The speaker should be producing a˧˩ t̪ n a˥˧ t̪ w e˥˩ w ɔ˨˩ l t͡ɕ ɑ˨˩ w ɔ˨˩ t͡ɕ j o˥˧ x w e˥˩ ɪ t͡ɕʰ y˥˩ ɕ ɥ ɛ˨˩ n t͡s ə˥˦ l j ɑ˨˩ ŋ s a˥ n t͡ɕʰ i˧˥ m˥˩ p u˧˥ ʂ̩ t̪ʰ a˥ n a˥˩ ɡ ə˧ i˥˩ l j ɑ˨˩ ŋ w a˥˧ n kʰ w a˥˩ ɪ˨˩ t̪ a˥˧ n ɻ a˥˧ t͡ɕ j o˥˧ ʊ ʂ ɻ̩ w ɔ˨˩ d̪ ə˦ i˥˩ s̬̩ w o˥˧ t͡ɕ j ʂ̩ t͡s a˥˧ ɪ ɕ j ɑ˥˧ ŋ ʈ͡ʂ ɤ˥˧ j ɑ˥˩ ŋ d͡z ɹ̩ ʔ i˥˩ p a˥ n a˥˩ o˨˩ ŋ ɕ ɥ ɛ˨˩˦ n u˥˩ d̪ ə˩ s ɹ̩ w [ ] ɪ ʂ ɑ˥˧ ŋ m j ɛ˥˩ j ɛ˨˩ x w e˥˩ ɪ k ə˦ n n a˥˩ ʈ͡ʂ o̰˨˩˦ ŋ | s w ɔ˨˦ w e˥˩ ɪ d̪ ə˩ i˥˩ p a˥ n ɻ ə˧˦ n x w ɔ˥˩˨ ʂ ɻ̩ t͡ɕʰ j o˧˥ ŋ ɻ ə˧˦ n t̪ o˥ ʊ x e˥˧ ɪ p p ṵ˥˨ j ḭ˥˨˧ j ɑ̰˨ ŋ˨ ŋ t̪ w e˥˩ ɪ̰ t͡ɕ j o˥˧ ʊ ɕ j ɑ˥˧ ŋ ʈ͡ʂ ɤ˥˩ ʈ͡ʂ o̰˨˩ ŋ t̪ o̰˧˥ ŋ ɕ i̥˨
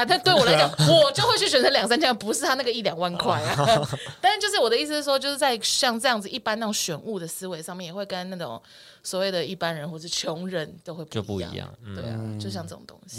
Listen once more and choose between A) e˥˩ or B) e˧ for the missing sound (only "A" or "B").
B